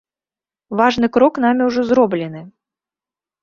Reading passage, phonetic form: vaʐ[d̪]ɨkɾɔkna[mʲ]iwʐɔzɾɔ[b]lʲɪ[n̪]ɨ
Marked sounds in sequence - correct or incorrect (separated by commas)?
incorrect, correct, correct, correct